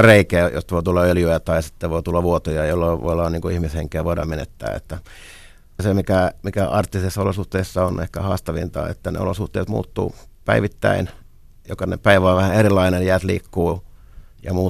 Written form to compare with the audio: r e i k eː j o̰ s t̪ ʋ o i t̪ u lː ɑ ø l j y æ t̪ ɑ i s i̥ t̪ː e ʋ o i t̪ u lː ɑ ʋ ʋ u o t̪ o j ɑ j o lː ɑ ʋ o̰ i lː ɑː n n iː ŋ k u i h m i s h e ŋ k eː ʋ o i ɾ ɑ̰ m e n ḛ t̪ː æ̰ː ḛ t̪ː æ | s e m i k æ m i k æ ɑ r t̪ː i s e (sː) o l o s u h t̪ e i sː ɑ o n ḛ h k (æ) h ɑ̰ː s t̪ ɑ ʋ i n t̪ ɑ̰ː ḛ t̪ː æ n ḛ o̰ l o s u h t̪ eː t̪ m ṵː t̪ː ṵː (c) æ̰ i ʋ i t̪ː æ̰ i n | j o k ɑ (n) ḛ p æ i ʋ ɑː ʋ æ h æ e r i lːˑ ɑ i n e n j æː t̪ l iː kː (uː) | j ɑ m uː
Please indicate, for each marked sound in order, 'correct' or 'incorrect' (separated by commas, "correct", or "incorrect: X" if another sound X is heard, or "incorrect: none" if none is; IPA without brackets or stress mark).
correct, correct, incorrect: p, correct, correct